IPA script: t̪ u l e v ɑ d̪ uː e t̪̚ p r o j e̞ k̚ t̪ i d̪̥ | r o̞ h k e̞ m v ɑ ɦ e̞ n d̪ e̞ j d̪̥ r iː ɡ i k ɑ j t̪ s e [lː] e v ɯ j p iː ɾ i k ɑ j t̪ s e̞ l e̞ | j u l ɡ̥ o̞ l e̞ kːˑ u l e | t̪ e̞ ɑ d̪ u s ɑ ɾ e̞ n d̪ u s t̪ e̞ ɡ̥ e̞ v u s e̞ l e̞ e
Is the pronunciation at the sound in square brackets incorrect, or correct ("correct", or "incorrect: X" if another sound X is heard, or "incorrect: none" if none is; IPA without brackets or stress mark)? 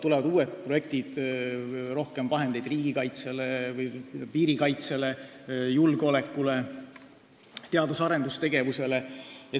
incorrect: l